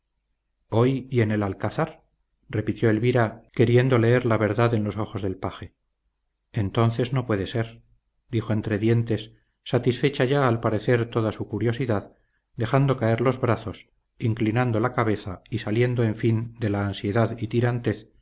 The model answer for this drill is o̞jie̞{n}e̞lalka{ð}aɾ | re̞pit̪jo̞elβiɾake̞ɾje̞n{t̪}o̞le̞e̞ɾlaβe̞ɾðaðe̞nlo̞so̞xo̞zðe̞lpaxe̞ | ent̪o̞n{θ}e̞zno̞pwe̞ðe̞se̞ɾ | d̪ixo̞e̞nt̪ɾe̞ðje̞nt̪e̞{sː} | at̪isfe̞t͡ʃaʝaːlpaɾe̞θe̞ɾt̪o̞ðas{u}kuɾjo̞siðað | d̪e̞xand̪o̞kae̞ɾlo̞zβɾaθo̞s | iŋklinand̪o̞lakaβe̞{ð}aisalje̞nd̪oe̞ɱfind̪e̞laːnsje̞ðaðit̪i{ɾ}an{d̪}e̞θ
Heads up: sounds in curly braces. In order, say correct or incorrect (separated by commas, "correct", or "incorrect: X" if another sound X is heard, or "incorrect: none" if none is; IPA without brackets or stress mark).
correct, incorrect: θ, incorrect: d̪, correct, correct, correct, incorrect: θ, correct, incorrect: t̪